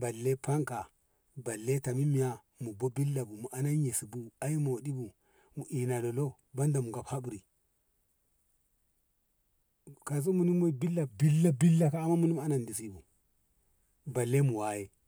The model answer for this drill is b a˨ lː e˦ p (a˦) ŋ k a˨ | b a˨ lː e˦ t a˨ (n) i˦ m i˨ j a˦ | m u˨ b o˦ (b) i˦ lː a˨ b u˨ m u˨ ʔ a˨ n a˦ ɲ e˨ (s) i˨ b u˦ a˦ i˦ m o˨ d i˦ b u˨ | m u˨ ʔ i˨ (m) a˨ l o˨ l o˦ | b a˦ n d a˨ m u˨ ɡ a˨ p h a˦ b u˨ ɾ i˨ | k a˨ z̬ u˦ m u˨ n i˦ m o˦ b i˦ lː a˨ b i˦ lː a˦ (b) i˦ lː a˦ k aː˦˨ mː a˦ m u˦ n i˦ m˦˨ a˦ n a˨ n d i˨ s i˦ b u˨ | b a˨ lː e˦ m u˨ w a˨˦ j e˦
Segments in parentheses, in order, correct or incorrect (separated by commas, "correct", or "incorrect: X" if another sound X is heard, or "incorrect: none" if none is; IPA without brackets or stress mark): correct, incorrect: m, correct, correct, incorrect: n, correct